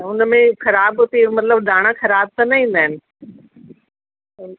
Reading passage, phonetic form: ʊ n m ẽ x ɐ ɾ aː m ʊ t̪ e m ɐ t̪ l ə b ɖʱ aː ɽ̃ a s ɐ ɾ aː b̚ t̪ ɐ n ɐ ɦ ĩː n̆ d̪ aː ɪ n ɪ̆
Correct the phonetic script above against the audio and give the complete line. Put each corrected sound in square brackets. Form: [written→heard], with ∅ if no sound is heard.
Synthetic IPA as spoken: ʊ n m ẽ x ɐ ɾ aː [m→b] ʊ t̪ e m ɐ t̪ l ə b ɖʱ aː ɽ̃ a [s→x] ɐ ɾ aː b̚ t̪ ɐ n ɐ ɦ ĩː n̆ d̪ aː ɪ n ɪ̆